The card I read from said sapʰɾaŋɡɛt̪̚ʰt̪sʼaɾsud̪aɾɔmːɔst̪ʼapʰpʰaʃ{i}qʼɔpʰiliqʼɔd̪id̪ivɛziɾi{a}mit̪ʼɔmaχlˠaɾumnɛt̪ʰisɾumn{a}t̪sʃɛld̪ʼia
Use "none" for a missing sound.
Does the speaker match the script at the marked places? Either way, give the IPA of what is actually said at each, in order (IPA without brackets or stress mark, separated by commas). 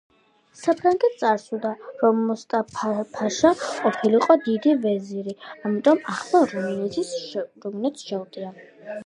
a, a, ɛ